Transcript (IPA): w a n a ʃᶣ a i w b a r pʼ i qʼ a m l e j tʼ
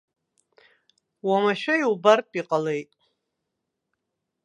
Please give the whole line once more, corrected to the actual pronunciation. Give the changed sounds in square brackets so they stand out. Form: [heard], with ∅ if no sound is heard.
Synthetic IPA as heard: w a [m] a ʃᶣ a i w b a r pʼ i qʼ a [∅] l e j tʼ